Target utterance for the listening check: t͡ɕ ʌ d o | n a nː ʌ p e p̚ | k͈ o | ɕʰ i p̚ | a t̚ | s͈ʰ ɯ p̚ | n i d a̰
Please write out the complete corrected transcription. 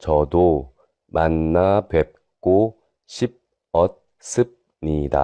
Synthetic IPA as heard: t͡ɕ ʌ d o | m a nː a p e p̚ | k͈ o | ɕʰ i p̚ | ʌ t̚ | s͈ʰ ɯ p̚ | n i d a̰